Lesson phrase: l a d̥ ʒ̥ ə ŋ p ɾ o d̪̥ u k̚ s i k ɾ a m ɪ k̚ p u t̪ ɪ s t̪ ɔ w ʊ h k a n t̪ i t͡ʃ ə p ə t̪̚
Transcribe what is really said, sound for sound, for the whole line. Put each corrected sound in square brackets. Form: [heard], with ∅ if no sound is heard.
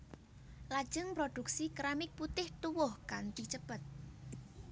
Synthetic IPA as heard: l a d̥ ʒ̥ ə ŋ p ɾ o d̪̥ u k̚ s i k ɾ a m ɪ k̚ p u t̪ ɪ [h] t̪ [u] w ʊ h k a n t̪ i t͡ʃ ə p ə t̪̚